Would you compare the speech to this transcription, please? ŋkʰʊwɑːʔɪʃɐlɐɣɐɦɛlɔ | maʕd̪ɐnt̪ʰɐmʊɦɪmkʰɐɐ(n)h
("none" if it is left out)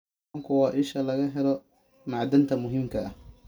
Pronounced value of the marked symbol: none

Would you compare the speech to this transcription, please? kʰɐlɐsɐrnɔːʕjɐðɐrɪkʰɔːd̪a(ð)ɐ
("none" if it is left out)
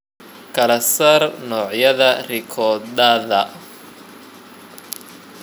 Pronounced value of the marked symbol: ð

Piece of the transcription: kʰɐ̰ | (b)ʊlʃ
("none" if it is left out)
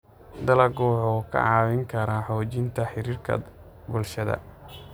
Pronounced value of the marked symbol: b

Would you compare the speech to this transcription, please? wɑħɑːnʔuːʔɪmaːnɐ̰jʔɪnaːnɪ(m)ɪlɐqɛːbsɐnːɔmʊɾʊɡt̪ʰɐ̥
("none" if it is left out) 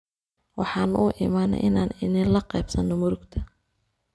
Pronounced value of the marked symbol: n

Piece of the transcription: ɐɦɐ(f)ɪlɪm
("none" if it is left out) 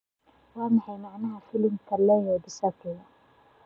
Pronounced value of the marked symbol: f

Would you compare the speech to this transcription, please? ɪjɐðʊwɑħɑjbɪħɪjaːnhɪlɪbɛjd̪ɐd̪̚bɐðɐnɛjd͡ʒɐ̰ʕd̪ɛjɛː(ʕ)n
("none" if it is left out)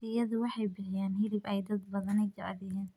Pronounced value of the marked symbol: none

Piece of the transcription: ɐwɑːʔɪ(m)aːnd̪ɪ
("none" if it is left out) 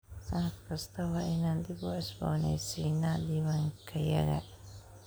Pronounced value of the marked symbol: n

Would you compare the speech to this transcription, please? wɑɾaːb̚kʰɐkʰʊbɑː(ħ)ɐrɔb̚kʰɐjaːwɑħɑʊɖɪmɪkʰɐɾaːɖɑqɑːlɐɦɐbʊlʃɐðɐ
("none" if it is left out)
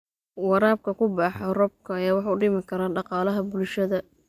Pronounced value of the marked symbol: ħ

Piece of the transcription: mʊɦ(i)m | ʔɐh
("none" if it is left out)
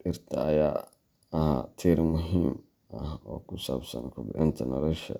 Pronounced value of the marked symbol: iː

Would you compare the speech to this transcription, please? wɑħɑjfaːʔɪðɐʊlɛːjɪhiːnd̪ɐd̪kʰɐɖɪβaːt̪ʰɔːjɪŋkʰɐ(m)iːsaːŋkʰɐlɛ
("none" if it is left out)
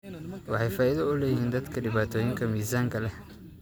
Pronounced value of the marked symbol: m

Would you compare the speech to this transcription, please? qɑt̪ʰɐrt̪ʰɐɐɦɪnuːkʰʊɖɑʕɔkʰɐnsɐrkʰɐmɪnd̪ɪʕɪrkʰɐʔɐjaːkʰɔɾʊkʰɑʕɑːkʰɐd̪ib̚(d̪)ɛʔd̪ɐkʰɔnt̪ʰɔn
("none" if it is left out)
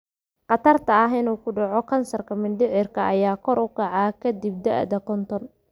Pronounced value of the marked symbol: d̪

